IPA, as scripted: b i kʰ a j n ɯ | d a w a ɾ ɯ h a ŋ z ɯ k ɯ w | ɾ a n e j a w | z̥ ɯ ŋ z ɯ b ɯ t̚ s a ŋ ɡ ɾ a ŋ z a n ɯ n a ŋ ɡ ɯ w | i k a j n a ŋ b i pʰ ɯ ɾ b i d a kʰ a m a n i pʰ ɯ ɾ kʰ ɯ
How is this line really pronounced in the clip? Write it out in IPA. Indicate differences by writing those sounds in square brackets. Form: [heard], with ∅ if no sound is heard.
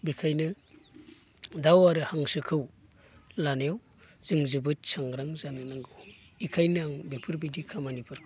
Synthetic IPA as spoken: b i kʰ a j n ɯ | d a w a ɾ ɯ h a ŋ [s] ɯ [kʰ] ɯ w | [l] a n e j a w | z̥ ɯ ŋ z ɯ b ɯ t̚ s a ŋ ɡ ɾ a ŋ z a n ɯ n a ŋ ɡ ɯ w | i [kʰ] a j n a ŋ b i pʰ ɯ ɾ b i d [i] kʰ a m a n i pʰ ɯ ɾ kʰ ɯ